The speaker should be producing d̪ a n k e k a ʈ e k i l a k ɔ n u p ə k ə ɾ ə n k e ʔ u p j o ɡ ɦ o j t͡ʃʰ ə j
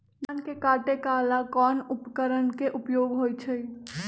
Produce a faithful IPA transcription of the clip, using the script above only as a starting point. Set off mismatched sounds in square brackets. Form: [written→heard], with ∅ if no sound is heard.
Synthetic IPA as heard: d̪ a n k e k a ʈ e k [i→a] l a k ɔ n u p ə k ə ɾ ə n k e ʔ u p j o ɡ ɦ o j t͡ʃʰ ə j